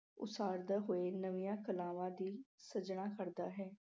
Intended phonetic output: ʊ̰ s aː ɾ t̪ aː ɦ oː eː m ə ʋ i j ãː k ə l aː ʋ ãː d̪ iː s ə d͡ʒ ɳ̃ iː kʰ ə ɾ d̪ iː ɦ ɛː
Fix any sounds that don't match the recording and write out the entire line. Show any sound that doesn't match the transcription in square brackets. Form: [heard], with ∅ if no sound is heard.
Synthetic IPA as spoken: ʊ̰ s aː ɾ [d̪] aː ɦ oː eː [n] ə ʋ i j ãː k ə l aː ʋ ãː d̪ iː s ə d͡ʒ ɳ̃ [aː] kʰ ə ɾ d̪ [aː] ɦ ɛː